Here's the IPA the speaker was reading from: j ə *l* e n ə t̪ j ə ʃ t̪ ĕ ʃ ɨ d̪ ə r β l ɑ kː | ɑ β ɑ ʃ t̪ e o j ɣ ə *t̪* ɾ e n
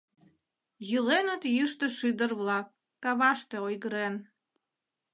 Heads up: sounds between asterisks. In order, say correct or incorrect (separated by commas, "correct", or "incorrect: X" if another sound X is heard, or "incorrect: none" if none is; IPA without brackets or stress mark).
correct, incorrect: none